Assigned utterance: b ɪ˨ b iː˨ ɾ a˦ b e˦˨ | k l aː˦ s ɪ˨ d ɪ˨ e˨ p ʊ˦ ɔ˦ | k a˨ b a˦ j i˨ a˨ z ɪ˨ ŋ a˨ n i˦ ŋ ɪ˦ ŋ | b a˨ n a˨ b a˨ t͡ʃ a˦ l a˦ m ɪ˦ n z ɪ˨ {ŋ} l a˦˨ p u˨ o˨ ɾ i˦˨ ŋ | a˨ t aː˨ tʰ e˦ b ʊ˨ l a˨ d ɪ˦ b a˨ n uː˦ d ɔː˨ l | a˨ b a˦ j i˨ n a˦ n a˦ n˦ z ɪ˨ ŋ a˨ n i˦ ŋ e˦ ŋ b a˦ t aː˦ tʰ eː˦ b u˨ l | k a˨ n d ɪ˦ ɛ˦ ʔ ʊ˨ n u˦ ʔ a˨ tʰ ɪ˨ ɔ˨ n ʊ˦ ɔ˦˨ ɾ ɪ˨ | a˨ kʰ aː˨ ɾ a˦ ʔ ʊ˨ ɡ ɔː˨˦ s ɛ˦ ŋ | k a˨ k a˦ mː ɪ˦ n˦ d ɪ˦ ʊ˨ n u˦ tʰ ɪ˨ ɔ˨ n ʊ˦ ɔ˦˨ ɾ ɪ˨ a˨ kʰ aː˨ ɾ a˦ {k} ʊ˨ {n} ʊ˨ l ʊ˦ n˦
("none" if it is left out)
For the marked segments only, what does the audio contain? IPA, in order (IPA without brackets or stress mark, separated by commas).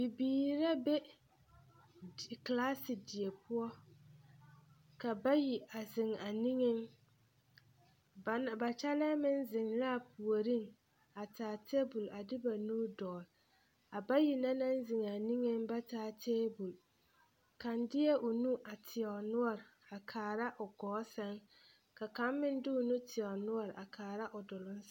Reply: ŋ, ʔ, d